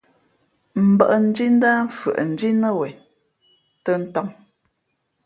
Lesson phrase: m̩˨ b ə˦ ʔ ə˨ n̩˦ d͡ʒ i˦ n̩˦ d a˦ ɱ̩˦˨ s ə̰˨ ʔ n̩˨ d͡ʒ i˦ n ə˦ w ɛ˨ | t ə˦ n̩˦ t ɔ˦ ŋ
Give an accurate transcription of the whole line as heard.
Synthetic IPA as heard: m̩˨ b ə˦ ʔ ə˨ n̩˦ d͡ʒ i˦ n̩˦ d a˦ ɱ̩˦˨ f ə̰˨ ʔ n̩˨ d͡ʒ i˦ n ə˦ w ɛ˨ | t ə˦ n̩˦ t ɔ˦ ŋ